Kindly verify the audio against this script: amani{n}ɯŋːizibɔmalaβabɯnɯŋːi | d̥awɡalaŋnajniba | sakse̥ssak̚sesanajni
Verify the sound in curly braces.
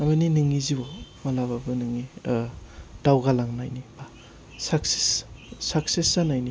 correct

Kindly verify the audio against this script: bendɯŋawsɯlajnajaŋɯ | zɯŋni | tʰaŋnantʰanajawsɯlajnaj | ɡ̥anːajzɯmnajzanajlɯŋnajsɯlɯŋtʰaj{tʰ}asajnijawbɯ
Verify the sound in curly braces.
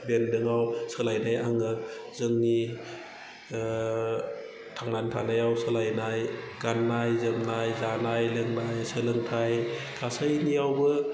incorrect: kʰ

